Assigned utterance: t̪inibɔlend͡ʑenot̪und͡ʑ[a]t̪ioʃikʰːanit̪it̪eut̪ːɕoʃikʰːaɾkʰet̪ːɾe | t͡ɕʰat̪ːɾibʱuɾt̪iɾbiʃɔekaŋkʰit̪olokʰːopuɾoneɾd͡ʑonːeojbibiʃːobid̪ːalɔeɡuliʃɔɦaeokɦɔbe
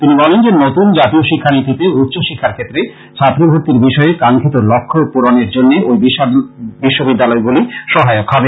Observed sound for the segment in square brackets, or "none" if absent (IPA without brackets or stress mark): a